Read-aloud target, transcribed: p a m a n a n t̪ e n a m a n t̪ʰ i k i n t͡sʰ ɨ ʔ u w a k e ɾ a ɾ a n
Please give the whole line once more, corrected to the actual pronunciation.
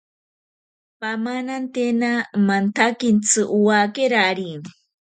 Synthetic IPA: p a m a n a n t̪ e n a m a n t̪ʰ a k i n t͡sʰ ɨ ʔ u w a k e ɾ a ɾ i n